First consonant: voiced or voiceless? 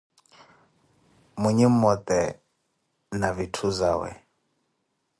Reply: voiced